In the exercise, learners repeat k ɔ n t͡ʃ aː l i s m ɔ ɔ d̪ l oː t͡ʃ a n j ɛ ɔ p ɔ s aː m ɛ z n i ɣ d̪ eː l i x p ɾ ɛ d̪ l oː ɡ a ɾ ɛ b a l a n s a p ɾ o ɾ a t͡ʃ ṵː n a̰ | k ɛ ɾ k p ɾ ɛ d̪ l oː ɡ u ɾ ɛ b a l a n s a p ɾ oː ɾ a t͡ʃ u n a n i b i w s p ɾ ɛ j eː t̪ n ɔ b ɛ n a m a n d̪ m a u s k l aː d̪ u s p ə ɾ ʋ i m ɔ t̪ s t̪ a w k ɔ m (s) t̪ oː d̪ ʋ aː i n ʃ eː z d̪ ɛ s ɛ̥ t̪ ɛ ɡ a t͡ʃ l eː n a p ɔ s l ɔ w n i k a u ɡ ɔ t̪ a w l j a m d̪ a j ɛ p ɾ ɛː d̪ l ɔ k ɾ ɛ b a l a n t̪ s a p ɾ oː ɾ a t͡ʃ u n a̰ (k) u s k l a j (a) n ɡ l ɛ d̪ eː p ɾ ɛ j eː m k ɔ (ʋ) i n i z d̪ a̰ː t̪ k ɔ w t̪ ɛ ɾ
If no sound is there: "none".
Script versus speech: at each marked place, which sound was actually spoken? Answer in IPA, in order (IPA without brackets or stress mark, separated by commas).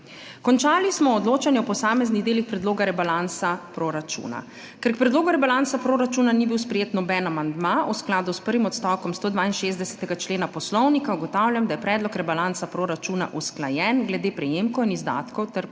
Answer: s, ʔ, ɛ, w